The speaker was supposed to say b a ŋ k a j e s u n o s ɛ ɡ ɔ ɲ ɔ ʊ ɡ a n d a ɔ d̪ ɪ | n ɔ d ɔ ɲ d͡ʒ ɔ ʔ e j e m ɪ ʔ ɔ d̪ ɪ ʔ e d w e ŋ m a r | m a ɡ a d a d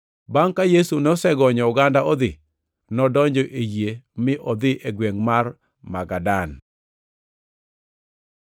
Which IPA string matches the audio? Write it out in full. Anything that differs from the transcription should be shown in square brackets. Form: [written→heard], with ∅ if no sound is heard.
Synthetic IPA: b a ŋ k a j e s u n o s ɛ ɡ ɔ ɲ ɔ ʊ ɡ a n d a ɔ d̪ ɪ | n ɔ d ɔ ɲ d͡ʒ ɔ ʔ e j e m ɪ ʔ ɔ d̪ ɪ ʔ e [d→ɡ] w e ŋ m a r | m a ɡ a d a [d→n]